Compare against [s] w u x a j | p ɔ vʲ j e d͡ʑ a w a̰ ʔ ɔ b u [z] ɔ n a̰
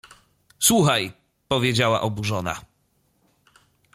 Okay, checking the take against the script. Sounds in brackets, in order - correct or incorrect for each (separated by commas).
correct, incorrect